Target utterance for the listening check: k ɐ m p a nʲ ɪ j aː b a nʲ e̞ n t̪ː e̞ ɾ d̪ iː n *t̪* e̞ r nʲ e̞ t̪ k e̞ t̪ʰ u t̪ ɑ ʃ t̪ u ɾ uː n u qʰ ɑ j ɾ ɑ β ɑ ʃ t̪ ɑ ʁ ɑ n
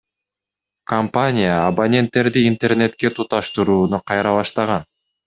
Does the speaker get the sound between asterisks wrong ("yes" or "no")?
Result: no